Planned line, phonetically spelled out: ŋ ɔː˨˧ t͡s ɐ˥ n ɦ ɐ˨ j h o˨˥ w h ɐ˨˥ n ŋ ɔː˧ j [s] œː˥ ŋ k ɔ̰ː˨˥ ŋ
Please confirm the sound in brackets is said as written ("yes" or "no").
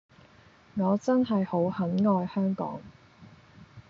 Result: no